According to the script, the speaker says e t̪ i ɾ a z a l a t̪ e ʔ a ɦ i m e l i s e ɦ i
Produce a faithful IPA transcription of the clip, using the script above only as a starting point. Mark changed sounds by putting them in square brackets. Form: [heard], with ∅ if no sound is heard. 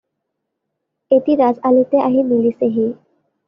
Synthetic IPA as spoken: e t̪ i ɾ a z a l [i] t̪ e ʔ a ɦ i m [i] l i s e ɦ i